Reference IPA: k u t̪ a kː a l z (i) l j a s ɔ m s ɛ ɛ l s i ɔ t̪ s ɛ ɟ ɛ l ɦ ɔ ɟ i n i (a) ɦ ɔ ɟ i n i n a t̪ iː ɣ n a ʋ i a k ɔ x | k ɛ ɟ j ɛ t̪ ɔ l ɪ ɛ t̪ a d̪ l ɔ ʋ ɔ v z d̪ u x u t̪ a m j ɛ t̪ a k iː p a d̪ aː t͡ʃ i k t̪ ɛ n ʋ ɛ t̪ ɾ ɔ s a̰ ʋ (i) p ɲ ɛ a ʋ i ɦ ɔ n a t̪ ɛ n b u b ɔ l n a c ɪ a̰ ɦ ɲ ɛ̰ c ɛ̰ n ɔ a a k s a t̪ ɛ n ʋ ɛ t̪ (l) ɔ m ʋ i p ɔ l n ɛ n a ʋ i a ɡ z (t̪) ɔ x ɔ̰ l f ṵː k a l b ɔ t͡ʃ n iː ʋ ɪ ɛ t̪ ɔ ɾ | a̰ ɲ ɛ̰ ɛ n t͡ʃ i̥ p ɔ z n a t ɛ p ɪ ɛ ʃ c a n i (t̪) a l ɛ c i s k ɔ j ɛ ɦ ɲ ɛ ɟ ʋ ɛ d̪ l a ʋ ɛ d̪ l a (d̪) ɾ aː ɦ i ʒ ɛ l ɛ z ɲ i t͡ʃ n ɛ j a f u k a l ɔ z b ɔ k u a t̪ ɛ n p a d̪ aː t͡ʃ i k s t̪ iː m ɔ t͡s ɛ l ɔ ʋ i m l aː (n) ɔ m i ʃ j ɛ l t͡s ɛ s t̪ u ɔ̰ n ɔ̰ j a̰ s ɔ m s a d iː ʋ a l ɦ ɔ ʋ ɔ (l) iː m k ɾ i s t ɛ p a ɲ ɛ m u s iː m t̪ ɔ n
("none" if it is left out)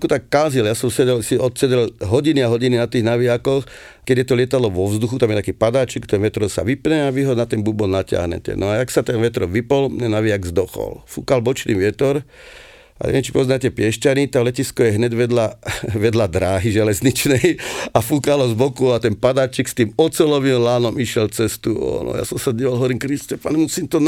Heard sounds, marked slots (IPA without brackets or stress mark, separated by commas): i, a, i, ɾ, d̪, t̪, d̪, n, ɾ